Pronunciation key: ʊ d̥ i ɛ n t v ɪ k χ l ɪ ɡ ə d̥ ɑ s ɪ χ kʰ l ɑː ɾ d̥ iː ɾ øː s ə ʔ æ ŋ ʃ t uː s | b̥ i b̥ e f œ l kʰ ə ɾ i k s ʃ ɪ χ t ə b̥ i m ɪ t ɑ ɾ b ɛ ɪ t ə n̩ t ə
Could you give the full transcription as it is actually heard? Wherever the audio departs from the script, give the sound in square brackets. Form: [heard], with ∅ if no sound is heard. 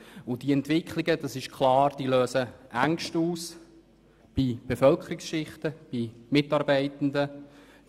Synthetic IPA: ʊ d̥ i ɛ n t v ɪ k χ l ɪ ɡ ə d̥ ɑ s ɪ [ʃ] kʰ l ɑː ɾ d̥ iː [l] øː s ə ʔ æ ŋ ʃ t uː s | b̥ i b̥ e f œ l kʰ ə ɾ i k s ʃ ɪ χ t ə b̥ i m ɪ t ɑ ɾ b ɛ ɪ t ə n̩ [d] ə